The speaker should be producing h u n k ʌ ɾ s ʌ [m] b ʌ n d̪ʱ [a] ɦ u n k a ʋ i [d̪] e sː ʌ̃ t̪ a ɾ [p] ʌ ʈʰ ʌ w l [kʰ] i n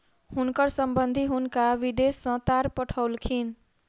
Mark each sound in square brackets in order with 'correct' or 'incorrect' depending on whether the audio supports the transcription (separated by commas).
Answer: correct, incorrect, correct, correct, correct